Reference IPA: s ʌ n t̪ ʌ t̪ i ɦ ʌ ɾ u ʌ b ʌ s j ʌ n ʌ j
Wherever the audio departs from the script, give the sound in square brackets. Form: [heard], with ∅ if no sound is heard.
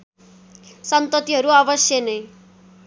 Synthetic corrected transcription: s ʌ n t̪ ʌ t̪ i ɦ ʌ ɾ u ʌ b ʌ s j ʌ n ʌ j